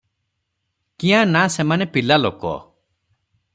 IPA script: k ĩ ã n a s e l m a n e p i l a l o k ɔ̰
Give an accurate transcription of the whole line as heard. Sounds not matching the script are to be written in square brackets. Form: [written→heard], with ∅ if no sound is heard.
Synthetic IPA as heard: k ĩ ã n a s e [l→∅] m a n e p i l a l o k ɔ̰